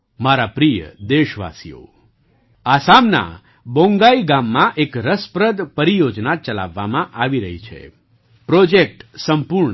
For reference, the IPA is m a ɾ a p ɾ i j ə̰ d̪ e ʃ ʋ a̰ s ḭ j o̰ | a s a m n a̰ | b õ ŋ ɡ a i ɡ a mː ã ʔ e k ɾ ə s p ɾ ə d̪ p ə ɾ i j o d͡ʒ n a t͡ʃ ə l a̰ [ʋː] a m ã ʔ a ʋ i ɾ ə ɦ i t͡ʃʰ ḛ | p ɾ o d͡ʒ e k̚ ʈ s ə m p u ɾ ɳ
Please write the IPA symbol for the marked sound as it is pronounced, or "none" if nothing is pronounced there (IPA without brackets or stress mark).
ʋː